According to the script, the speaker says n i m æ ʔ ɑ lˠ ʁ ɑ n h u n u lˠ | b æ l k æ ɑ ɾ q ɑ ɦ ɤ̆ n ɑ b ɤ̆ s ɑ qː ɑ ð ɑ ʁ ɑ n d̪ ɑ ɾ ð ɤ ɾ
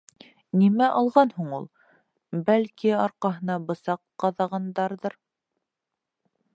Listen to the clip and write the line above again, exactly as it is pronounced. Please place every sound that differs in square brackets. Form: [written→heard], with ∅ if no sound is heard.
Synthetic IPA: n i m æ ʔ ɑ lˠ ʁ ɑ n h u [n→ɴ] u lˠ | b æ l k [æ→i] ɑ ɾ q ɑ ɦ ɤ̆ n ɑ b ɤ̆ s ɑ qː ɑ ð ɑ ʁ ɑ n d̪ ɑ ɾ ð ɤ ɾ